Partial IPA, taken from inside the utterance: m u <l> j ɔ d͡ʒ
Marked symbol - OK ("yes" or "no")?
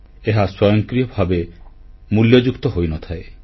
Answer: yes